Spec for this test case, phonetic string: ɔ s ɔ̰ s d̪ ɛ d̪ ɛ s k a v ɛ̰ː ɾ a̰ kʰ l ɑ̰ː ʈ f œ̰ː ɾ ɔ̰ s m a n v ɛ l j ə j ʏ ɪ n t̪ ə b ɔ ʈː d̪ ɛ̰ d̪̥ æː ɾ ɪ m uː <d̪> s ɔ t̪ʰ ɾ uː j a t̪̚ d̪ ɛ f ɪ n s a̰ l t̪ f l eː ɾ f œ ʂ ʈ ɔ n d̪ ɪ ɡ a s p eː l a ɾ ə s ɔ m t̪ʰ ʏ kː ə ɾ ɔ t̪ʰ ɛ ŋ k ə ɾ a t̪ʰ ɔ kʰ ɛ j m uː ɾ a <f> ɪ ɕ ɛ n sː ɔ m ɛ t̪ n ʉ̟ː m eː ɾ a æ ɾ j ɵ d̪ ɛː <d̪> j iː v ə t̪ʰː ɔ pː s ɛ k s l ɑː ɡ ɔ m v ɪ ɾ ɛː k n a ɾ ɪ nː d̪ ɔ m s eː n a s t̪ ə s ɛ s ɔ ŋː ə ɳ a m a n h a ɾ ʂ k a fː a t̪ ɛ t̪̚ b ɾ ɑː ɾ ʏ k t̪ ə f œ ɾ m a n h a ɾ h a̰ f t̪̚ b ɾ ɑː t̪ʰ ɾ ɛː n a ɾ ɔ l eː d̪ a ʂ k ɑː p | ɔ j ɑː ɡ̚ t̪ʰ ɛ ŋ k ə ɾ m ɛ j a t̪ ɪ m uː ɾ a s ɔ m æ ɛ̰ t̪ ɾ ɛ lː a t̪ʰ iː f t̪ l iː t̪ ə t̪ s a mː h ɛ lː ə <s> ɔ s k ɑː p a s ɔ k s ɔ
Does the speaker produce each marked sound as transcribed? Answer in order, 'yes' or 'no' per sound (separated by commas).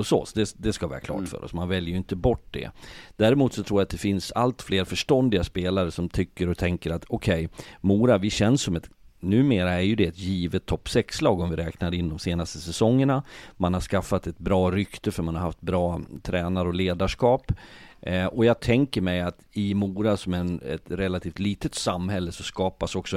no, no, no, yes